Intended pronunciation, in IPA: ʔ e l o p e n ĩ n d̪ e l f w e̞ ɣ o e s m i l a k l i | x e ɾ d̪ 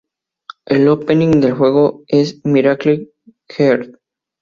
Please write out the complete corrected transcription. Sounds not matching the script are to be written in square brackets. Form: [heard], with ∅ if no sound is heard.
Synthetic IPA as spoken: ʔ e l o p e n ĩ [ŋ] d̪ e l [x] w e̞ ɣ o e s m i [ɾ] a k l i | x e ɾ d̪

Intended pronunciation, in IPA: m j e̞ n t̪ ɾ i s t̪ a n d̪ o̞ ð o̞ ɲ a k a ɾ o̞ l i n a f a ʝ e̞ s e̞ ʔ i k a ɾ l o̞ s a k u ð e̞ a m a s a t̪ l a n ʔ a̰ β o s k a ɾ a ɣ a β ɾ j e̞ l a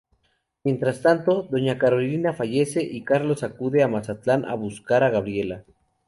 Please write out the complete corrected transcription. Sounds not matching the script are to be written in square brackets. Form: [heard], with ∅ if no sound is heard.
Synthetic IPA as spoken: m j e̞ n t̪ ɾ [a] s t̪ a n [t̪] o̞ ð o̞ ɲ a k a ɾ o̞ l i n a f a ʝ e̞ s e̞ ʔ i k a ɾ l o̞ s a k u ð e̞ a m a s a t̪ l a n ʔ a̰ β [u] s k a ɾ a ɣ a β ɾ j e̞ l a

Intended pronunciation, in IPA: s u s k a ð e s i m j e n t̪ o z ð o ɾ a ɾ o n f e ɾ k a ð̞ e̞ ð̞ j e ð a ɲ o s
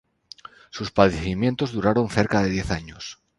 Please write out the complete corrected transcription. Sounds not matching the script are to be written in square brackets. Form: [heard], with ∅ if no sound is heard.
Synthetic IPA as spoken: s u s [p] a ð e [θ] i m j e n t̪ o z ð [u] ɾ a ɾ o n [θ] e ɾ k a ð̞ e̞ ð̞ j e [θ] a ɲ o s

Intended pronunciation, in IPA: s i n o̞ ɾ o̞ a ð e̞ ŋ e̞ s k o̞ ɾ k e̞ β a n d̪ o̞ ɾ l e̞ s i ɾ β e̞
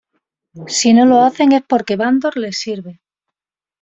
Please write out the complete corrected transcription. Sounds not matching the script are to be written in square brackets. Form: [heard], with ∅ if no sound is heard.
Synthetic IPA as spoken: s i n o̞ [l] o̞ a [θ] e̞ ŋ e̞ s [p] o̞ ɾ k e̞ β a n d̪ o̞ ɾ l e̞ s i ɾ β e̞

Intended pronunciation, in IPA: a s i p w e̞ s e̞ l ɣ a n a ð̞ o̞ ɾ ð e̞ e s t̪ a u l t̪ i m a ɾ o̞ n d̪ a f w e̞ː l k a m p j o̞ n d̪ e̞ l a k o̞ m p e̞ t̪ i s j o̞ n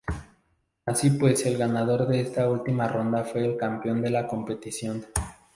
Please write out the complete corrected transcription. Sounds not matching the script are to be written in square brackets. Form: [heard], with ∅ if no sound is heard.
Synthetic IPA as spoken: a s i p w e̞ s e̞ l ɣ a n a ð̞ o̞ ɾ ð e̞ e s t̪ a u l t̪ i m a [r] o̞ n d̪ a f w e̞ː l k a m p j o̞ n d̪ e̞ l a k o̞ m p e̞ t̪ i s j o̞ n

